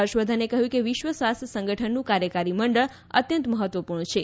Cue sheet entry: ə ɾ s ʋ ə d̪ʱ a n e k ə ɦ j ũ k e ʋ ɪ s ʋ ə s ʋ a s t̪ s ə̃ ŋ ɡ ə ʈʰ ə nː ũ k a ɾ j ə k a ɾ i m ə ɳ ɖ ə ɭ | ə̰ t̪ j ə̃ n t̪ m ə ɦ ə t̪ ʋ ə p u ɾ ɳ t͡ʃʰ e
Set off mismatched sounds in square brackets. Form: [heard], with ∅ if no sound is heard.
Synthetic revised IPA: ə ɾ [ʃ] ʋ ə d̪ʱ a n e k ə ɦ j ũ k e ʋ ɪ [ʃ] ʋ ə s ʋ a s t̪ s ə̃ ŋ ɡ ə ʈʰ ə nː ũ k a ɾ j ə k a ɾ i m ə ɳ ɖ ə ɭ | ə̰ t̪ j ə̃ n t̪ m ə ɦ ə t̪ ʋ ə p u ɾ ɳ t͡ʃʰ e